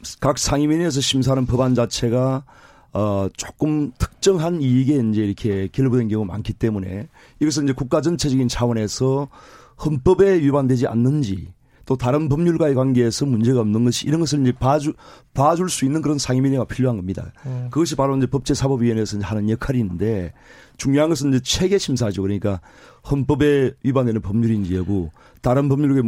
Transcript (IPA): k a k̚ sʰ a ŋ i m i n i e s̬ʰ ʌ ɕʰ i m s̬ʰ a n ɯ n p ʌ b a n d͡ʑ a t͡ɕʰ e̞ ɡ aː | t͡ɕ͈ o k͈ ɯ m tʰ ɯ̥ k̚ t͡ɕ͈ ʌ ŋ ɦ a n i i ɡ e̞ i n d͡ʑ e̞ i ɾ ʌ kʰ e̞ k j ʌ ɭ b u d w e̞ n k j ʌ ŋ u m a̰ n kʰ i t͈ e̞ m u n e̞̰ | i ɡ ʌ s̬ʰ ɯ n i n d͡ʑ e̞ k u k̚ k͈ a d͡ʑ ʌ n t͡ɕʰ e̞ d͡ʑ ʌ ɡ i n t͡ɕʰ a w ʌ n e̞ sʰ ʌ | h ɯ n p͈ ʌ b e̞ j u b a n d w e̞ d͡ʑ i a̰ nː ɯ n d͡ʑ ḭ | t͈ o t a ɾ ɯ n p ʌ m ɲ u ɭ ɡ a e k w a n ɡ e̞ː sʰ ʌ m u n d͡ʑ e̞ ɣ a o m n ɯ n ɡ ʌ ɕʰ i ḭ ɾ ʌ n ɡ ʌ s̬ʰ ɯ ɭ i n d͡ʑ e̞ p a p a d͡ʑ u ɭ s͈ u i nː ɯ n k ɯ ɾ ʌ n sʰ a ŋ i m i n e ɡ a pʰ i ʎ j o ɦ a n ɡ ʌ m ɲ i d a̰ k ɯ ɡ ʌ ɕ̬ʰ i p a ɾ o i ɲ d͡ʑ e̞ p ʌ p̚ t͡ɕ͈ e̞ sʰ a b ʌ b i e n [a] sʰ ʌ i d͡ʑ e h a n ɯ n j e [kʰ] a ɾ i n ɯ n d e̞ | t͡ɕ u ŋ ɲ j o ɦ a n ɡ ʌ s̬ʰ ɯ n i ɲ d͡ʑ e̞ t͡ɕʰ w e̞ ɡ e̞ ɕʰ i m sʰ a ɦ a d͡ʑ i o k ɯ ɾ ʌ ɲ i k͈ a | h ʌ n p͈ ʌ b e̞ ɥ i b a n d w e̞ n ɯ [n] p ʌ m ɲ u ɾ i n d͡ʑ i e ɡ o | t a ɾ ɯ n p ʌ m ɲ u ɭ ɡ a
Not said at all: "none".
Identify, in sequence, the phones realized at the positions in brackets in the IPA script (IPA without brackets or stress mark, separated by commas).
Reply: e, kʰ, n